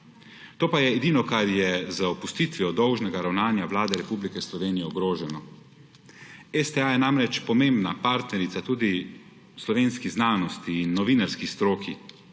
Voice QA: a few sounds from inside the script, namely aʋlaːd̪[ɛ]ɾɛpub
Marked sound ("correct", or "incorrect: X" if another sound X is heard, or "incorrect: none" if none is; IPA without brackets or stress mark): correct